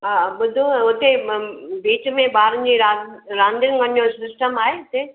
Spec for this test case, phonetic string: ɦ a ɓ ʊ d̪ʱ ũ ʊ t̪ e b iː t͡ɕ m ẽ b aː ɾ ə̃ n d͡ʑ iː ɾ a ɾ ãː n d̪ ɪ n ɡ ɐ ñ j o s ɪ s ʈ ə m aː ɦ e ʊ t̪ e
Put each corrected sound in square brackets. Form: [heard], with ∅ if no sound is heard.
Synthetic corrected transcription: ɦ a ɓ ʊ d̪ʱ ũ ʊ t̪ e b iː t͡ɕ m ẽ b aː ɾ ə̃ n d͡ʑ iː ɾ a ɾ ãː n d̪ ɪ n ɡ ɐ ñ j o s ɪ s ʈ ə m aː ɦ e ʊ t̪ e